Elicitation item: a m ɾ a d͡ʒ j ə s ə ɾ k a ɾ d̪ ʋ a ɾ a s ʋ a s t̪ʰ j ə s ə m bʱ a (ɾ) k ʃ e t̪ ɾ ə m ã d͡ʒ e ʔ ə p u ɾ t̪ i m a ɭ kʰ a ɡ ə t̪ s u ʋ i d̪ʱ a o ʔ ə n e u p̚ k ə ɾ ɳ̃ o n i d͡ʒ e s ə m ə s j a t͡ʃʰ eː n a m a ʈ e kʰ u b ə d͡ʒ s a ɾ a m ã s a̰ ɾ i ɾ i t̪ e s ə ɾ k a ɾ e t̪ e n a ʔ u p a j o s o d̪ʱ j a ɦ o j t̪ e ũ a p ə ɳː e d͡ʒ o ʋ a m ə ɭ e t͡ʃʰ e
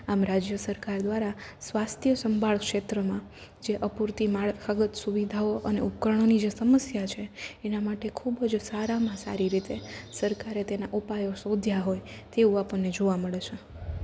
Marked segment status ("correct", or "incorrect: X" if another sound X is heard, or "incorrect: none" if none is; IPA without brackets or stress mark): incorrect: ɭ